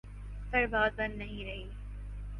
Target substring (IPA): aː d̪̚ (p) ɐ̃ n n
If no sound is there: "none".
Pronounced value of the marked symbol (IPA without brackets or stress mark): b